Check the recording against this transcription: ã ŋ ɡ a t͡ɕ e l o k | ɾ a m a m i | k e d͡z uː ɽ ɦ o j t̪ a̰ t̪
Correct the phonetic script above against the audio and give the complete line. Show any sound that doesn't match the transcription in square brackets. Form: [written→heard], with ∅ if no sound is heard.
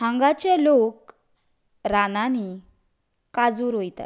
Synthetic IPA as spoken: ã ŋ ɡ a t͡ɕ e l o k | ɾ a [m→n] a [m→n] i | k [e→a] d͡z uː [ɽ→ɾ] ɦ o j t̪ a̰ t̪